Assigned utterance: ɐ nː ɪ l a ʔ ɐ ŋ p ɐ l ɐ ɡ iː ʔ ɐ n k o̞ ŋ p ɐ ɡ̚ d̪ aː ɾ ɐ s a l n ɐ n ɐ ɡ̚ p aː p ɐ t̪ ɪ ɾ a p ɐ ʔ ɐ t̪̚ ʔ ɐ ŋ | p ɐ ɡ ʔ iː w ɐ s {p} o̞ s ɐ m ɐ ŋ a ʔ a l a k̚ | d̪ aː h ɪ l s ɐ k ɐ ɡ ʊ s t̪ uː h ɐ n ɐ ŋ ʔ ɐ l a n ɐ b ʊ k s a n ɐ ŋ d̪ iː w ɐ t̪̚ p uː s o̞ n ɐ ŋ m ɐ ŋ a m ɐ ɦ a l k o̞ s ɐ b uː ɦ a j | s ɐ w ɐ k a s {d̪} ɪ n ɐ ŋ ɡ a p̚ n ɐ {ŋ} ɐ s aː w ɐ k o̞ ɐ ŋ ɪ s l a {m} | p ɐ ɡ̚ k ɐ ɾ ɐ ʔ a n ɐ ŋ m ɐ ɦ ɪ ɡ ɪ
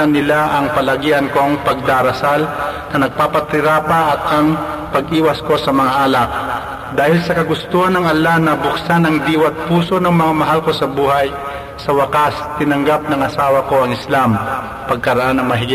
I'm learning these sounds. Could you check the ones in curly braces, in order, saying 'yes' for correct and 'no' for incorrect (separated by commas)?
no, no, yes, yes